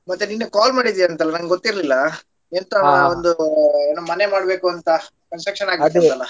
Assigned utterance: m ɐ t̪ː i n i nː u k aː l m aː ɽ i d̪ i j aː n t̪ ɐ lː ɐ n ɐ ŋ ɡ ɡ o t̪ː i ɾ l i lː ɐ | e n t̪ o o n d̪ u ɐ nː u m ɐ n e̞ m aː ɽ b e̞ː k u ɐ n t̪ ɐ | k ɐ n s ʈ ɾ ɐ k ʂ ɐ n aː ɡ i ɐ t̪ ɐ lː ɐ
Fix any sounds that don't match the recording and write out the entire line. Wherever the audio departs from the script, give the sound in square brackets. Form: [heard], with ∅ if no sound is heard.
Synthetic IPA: m ɐ t̪ː [e] n i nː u k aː l m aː ɽ i d̪ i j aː n t̪ ɐ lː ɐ n ɐ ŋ ɡ ɡ o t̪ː i ɾ l i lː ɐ | e n t̪ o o n d̪ u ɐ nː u m ɐ n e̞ m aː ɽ b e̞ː k u ɐ n t̪ ɐ | k ɐ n s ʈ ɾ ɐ k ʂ ɐ n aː ɡ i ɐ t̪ ɐ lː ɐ